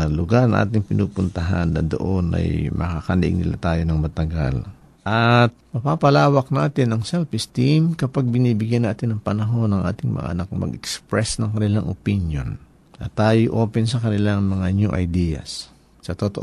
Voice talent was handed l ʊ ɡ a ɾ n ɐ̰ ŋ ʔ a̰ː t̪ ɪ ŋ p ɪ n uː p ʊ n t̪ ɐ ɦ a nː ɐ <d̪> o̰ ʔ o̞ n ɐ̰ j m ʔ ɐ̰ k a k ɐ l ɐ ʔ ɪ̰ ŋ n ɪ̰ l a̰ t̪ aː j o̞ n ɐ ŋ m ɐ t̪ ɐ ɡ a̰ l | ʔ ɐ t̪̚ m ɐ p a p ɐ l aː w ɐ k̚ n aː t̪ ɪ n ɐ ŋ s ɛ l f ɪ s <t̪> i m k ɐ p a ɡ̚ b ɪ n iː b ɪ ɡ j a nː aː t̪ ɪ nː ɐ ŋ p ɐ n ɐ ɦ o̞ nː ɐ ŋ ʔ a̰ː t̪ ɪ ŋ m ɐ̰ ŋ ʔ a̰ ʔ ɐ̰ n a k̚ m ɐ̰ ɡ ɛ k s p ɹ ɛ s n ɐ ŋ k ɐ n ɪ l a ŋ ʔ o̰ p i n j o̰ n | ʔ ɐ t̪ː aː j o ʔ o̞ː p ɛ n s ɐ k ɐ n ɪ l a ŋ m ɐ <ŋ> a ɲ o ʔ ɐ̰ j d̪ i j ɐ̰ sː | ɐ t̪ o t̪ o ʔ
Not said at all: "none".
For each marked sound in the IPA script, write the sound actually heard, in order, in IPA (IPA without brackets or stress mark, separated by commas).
d̪, t̪, ŋ